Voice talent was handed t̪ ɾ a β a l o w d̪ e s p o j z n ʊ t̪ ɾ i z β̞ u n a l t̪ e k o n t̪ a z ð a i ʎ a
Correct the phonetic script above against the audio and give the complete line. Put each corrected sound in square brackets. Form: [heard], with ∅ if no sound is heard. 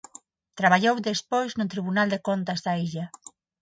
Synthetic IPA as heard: t̪ ɾ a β a [ʎ] o w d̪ e s p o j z n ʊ t̪ ɾ i [∅] β̞ u n a l [d̪] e k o n t̪ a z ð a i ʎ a